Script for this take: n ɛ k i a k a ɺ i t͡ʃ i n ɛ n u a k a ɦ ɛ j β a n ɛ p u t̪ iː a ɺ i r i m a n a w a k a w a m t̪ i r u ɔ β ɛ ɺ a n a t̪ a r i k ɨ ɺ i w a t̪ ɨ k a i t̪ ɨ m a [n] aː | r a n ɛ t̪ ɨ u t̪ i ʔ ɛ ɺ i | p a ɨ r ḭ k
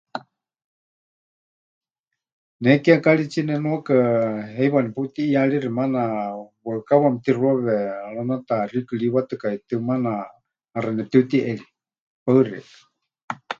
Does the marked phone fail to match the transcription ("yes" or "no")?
no